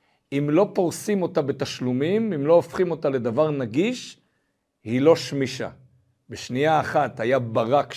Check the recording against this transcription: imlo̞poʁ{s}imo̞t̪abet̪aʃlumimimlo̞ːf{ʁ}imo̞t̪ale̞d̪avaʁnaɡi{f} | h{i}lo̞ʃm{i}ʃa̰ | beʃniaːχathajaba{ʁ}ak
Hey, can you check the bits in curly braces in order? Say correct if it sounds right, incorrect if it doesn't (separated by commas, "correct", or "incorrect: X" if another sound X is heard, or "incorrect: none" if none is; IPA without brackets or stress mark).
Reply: correct, incorrect: χ, incorrect: ʃ, correct, correct, correct